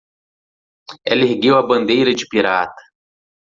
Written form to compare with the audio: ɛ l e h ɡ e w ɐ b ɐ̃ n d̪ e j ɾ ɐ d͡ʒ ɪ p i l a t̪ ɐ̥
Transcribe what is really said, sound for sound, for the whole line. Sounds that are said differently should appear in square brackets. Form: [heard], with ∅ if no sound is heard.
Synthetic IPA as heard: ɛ l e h ɡ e w ɐ b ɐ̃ n d̪ e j ɾ ɐ d͡ʒ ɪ p i [ɾ] a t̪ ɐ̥